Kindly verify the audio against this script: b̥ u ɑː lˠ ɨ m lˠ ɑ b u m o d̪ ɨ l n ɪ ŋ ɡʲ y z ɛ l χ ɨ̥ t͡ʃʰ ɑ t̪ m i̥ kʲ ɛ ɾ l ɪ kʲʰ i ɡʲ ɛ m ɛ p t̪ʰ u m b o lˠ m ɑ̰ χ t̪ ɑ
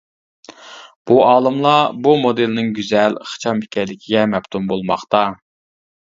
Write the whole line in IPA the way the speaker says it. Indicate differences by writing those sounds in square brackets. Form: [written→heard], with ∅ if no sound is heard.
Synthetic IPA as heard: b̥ u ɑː lˠ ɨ m lˠ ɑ b u m o d̪ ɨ l n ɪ ŋ ɡʲ y z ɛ l χ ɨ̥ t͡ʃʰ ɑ [t̪→∅] m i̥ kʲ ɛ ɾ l ɪ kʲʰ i ɡʲ ɛ m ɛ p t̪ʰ u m b o lˠ m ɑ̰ χ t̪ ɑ